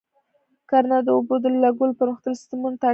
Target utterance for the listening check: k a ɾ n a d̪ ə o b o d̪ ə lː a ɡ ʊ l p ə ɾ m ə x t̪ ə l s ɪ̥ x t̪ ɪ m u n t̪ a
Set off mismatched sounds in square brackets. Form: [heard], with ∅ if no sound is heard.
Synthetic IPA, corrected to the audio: k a ɾ n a d̪ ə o b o d̪ ə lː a ɡ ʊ l p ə ɾ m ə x t̪ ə l s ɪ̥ [s] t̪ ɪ m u n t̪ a